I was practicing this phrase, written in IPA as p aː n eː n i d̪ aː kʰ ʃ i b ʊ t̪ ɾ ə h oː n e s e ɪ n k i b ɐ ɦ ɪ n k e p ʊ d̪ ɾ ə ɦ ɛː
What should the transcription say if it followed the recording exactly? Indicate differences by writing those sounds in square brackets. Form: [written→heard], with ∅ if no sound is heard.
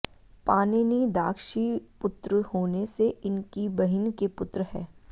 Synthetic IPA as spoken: p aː n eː n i d̪ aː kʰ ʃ i [b→p] ʊ t̪ ɾ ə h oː n e s e ɪ n k i b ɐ ɦ ɪ n k e p ʊ [d̪→t̪] ɾ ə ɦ ɛː